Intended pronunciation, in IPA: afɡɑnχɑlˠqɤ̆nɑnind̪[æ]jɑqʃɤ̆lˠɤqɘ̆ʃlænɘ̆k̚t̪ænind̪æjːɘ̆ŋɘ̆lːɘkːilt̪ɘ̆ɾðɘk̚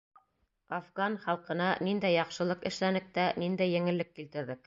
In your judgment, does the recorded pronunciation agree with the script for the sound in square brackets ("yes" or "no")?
yes